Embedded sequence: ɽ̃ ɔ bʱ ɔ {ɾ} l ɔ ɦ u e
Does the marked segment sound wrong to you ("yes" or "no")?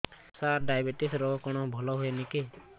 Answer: yes